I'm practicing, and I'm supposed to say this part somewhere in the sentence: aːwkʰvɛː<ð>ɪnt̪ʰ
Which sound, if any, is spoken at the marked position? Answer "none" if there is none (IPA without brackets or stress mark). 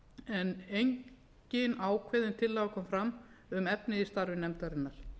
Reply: ð